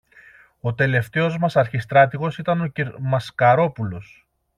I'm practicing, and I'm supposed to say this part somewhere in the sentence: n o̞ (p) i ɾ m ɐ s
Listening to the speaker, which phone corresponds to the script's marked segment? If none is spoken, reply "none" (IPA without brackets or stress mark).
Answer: c